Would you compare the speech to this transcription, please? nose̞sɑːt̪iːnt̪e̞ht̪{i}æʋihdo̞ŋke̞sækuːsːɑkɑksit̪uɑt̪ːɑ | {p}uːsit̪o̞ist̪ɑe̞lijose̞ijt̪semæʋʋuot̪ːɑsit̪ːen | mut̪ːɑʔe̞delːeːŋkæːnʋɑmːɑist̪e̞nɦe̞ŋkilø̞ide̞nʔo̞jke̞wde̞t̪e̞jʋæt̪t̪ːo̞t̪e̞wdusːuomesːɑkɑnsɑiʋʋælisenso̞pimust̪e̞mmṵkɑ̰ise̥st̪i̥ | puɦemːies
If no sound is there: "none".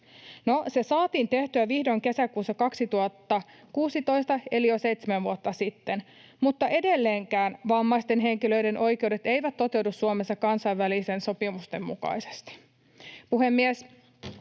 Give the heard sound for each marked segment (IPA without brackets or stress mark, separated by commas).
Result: y, k